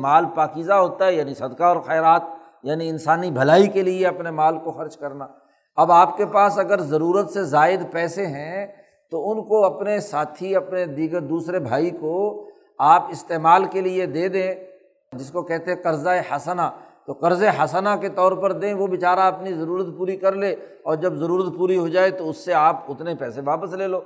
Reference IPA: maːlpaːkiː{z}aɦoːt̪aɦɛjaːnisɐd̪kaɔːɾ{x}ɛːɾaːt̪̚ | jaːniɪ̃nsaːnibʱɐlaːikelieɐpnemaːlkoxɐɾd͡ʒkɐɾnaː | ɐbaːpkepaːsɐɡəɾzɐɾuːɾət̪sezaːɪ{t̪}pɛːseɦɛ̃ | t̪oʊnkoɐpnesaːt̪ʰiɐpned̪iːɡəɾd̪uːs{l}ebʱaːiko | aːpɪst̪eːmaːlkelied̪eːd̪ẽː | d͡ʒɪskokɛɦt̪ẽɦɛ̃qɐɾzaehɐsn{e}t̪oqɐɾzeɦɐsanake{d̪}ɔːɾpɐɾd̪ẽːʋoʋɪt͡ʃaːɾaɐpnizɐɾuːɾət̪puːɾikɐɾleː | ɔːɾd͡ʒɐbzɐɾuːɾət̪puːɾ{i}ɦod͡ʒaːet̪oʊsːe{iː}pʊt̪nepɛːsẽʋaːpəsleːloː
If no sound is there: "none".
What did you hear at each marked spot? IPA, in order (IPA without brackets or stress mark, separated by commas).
z, x, d̪, ɾ, a, t̪, i, aː